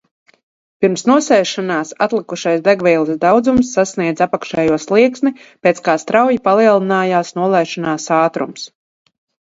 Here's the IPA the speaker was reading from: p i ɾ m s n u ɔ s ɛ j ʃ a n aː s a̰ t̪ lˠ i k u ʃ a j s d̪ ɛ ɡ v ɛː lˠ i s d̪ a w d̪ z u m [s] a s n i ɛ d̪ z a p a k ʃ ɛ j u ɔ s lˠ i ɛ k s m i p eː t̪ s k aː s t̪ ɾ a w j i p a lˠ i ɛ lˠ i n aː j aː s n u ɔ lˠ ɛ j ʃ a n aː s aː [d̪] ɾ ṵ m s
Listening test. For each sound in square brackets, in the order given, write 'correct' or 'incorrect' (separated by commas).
incorrect, incorrect